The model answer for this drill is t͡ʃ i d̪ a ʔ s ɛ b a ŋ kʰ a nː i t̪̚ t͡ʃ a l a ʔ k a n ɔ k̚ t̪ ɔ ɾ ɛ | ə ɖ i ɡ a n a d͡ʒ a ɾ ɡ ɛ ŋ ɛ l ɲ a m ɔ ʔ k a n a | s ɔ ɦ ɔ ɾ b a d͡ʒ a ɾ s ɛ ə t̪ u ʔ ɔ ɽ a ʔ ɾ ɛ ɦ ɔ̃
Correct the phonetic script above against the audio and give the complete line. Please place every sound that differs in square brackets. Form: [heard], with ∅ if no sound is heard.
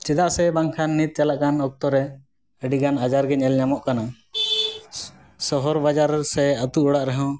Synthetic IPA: t͡ʃ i d̪ a ʔ s ɛ b a ŋ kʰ a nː i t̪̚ t͡ʃ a l a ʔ k a n ɔ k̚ t̪ ɔ ɾ ɛ | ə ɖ i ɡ a n a d͡ʒ a ɾ ɡ ɛ [ɲ] ɛ l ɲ a m ɔ ʔ k a n a | s ɔ ɦ ɔ ɾ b a d͡ʒ a ɾ s ɛ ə t̪ u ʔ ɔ ɽ a ʔ ɾ ɛ ɦ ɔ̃